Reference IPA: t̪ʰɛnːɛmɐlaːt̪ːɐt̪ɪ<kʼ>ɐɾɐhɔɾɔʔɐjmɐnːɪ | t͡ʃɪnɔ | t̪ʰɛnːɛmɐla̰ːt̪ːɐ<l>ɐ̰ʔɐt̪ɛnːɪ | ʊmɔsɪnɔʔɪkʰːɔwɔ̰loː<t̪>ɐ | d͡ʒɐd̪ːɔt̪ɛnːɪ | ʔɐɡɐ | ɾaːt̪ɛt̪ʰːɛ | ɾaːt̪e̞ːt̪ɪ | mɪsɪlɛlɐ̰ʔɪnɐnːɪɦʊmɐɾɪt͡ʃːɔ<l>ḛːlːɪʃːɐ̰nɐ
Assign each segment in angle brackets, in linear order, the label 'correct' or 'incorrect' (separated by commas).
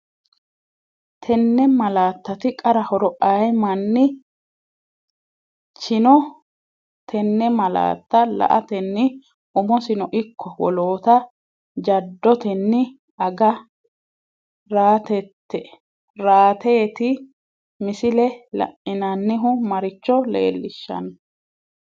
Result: correct, correct, correct, correct